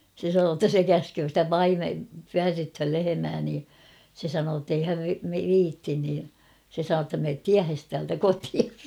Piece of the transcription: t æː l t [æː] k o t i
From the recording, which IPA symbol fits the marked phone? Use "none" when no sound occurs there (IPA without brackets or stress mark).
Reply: æ